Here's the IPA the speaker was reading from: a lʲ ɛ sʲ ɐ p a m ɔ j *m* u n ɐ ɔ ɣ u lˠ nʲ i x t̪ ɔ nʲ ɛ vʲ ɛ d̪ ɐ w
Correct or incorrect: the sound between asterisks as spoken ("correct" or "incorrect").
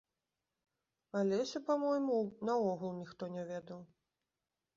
correct